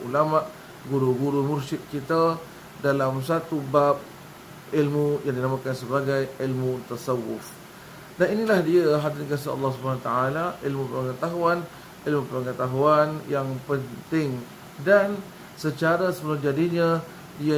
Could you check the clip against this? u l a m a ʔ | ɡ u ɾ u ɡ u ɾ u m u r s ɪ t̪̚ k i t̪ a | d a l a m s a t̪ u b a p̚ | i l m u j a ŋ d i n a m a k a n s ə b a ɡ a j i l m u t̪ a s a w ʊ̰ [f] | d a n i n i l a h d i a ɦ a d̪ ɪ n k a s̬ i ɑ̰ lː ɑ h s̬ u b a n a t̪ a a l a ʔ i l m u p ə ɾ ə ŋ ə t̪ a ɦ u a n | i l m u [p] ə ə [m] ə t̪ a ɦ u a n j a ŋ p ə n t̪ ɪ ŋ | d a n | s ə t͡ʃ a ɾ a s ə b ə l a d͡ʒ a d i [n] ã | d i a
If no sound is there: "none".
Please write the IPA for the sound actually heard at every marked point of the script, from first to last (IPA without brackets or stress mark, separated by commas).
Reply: f, p, ŋ, ɲ